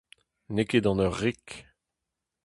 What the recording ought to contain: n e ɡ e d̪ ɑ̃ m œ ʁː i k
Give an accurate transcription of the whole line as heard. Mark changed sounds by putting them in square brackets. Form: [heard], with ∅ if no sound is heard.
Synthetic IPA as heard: n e [k] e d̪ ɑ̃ [n] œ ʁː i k